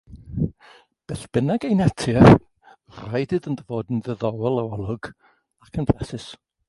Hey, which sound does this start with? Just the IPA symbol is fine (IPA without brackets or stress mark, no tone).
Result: b̥